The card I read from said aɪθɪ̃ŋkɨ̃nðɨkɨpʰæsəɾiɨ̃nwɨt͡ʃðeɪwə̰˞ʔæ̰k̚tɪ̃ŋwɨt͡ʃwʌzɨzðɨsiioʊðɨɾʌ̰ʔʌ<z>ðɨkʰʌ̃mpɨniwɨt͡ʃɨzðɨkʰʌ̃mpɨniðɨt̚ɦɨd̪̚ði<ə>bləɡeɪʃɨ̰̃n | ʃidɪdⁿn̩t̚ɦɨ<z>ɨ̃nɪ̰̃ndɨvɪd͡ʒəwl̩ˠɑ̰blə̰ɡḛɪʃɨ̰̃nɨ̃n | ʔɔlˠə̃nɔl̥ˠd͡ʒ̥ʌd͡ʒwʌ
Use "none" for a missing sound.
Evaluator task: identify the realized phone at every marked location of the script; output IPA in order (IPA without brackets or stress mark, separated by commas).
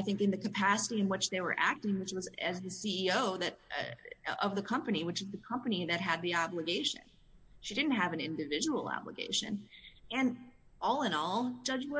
v, ɑ, v